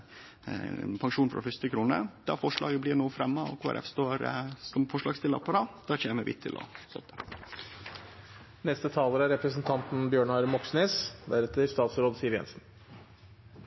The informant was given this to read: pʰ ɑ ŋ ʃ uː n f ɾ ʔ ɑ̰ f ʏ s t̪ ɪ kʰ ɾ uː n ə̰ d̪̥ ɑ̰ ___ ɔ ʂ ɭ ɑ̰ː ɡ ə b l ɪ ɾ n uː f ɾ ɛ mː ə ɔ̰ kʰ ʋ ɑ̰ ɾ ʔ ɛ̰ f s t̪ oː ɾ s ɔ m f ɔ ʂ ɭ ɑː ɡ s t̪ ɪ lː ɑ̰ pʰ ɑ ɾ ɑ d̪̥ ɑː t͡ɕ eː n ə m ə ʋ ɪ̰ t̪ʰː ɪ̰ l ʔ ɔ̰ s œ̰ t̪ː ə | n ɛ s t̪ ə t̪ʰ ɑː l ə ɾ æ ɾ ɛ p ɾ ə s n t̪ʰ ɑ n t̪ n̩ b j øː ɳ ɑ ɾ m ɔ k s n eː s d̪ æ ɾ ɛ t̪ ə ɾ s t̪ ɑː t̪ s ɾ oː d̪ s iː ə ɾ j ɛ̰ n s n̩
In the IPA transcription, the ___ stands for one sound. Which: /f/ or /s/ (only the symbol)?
f